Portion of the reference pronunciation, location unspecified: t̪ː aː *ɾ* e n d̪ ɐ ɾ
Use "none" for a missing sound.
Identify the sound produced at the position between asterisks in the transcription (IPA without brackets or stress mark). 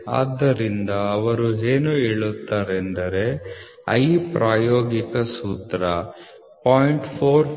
ɾ